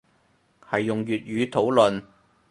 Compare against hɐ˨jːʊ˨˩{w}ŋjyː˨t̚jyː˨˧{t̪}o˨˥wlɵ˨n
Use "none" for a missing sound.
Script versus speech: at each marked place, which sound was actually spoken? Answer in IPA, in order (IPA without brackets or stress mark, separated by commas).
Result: none, t̪ʰ